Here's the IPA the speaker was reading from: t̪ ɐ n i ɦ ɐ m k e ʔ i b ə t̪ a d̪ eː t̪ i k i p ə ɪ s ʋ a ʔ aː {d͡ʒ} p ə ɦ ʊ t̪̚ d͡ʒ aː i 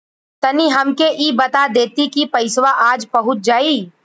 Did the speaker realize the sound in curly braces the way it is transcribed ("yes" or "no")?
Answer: yes